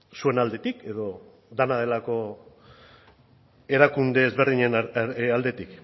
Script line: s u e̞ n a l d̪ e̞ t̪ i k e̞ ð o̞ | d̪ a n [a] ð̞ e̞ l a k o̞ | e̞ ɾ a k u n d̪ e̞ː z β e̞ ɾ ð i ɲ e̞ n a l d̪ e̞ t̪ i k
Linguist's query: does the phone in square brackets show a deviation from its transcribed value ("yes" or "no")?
no